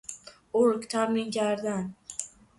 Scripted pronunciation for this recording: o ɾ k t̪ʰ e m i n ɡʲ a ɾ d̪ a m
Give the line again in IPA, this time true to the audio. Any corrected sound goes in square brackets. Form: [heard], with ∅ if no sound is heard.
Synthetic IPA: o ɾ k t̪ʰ [a] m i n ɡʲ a ɾ d̪ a [n]